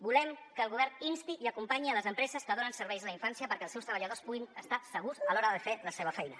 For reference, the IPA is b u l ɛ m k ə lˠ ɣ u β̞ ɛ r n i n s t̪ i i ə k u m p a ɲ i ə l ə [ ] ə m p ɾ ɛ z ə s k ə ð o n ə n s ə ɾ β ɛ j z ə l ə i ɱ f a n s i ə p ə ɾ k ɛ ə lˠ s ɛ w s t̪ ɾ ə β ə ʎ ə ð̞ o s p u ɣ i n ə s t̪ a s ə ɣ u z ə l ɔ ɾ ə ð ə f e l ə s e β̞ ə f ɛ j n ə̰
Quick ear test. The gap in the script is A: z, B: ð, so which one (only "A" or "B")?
A